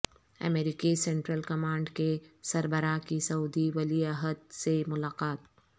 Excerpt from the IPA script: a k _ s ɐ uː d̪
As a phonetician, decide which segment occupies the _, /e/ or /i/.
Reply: i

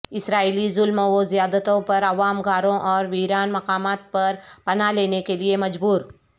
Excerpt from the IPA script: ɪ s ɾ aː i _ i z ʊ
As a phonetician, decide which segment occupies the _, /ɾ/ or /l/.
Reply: l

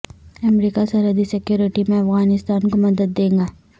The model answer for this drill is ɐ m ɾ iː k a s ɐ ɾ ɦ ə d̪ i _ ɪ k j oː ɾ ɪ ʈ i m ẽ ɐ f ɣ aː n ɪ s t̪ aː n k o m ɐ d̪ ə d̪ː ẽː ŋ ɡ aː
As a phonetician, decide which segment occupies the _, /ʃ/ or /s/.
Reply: s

